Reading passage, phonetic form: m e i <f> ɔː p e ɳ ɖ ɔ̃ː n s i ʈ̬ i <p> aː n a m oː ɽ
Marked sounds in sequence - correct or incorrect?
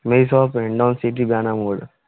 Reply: incorrect: s, incorrect: b

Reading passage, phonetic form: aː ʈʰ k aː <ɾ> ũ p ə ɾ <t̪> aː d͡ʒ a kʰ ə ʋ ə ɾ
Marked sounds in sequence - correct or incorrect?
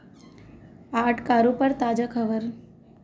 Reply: correct, correct

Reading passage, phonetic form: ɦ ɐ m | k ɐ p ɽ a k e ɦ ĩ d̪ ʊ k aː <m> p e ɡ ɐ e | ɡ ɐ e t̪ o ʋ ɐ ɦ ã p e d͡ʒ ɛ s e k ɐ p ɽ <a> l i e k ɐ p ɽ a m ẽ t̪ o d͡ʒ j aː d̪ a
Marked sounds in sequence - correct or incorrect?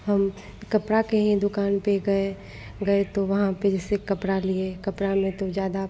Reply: incorrect: n, correct

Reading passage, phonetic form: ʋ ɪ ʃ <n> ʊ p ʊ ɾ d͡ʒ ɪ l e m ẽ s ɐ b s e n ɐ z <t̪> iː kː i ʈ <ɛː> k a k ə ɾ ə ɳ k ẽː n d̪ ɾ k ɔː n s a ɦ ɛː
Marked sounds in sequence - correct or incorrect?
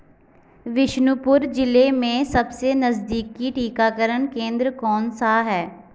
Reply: correct, incorrect: d̪, incorrect: iː

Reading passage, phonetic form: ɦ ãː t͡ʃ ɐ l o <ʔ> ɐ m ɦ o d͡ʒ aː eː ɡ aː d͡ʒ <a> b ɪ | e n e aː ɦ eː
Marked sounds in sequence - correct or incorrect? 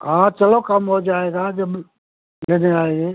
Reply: incorrect: k, incorrect: ɐ

